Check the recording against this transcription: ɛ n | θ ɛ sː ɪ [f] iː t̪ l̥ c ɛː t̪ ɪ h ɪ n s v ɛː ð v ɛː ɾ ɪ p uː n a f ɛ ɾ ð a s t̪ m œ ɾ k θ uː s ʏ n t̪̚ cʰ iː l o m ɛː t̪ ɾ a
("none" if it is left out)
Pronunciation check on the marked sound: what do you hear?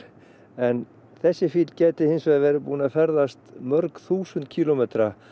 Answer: f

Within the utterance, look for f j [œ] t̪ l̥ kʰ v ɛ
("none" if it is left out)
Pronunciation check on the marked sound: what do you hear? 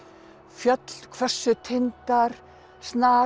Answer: œ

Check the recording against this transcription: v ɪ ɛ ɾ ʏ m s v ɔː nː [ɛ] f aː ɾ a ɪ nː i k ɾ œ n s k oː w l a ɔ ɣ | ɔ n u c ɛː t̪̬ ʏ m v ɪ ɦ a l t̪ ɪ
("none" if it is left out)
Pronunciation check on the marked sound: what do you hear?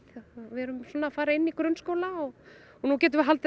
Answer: a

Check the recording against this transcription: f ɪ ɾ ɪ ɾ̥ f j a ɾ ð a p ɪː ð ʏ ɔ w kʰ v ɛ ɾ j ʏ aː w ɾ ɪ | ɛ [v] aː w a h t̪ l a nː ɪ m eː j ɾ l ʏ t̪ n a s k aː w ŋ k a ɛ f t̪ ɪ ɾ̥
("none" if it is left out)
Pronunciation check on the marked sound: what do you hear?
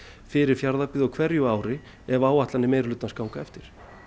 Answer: v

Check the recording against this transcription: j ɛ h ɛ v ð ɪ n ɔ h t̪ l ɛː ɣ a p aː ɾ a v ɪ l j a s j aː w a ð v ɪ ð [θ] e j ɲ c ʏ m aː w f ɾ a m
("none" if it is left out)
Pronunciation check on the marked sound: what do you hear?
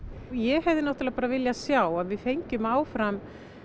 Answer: f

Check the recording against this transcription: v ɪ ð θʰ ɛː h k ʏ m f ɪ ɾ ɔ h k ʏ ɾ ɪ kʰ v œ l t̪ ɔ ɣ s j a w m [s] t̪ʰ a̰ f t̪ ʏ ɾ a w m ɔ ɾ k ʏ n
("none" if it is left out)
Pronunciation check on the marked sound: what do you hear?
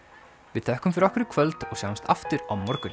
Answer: s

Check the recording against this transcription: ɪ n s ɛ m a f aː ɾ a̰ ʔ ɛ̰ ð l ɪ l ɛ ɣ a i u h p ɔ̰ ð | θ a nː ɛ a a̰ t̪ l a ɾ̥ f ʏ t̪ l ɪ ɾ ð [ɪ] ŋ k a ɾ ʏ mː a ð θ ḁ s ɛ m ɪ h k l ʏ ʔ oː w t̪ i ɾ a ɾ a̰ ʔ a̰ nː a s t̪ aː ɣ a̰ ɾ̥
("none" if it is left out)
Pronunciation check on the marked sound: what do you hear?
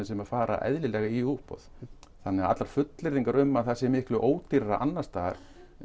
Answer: i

